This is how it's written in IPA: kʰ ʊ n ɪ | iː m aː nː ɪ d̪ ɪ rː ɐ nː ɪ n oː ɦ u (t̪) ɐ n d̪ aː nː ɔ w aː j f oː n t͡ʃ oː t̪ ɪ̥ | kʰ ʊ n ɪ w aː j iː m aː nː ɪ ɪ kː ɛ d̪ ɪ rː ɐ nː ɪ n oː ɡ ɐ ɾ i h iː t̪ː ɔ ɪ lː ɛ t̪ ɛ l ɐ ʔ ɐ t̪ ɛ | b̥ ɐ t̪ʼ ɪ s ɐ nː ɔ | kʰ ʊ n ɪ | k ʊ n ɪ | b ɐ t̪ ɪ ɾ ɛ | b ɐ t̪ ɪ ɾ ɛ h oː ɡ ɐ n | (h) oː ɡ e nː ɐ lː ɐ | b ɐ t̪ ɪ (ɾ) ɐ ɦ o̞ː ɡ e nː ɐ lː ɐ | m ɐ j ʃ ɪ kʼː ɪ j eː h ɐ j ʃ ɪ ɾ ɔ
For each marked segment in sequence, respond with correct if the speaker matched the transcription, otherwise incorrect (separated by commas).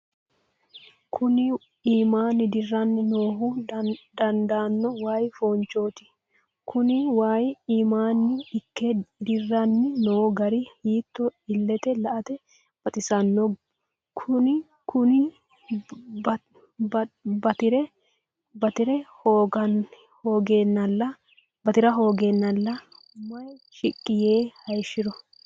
incorrect, correct, correct